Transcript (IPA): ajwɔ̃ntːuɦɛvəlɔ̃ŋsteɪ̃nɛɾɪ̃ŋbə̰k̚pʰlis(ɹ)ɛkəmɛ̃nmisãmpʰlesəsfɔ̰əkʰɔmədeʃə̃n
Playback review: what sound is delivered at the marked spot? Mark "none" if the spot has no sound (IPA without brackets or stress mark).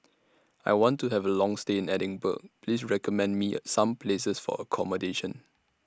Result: ɹ